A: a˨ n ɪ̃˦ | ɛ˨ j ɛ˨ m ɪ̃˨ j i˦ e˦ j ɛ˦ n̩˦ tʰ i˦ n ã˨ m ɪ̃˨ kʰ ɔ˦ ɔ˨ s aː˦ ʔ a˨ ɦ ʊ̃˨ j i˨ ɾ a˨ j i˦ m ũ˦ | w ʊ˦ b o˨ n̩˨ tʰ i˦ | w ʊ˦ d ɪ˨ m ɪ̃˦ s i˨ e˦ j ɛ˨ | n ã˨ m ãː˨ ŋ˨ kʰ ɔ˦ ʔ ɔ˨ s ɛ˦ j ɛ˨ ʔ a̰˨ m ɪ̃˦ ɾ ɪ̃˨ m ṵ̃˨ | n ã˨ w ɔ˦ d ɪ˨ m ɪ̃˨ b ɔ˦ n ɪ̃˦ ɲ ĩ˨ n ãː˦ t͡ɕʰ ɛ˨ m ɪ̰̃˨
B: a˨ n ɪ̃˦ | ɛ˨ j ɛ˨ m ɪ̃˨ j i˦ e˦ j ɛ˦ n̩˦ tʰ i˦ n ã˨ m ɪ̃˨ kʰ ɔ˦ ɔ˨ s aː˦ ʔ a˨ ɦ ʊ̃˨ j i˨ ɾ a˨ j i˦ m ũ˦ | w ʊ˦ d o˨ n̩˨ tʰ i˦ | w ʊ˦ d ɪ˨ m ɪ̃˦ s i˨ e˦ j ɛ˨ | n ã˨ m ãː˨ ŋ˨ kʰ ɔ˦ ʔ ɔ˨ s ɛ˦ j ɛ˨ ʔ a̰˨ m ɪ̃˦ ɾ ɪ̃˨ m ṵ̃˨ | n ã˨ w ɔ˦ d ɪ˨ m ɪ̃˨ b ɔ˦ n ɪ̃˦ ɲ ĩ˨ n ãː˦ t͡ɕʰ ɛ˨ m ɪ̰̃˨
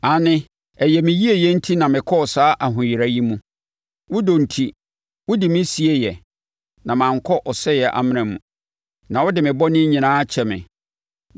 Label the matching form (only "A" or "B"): B